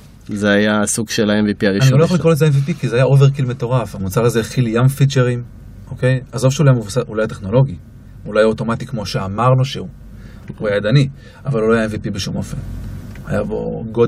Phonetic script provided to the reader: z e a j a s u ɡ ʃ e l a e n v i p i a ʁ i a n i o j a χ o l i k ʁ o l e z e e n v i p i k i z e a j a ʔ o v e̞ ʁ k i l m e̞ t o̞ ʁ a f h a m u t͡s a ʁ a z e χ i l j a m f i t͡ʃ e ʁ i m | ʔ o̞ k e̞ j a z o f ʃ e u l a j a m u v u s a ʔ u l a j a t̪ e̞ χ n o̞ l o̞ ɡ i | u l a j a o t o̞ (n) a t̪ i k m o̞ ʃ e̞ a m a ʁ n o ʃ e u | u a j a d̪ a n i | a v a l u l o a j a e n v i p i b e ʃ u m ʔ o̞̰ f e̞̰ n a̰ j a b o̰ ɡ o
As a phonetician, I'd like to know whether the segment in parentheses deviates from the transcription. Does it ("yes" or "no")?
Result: yes